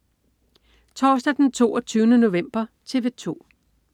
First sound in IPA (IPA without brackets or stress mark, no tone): t͡sʰ